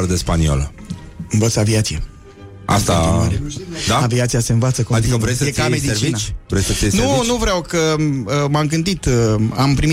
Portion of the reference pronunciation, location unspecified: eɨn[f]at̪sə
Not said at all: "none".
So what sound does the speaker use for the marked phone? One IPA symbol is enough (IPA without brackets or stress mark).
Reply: v